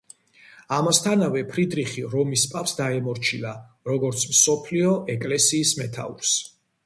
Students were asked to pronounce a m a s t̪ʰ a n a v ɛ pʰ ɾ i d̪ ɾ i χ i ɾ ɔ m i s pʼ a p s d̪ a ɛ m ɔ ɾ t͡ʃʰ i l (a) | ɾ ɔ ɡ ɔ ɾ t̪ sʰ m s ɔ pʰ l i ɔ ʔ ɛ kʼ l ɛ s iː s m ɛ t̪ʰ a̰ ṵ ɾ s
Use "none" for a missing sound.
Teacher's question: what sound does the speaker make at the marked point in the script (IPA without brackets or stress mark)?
a